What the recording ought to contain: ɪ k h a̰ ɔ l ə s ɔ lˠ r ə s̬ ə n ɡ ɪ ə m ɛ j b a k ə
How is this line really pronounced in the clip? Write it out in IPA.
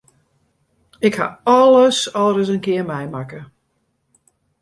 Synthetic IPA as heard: ɪ k h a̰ ɔ l ə s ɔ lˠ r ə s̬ ə n k ɪ ə m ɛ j m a k ə